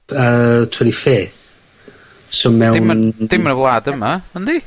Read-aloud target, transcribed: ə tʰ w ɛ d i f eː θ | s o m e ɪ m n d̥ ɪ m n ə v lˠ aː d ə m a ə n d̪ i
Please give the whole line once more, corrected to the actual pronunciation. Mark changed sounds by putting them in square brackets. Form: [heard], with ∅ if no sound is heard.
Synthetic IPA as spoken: ə tʰ w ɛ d i f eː θ | s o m [ɛ] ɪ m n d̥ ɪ m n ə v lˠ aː d ə m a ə n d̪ i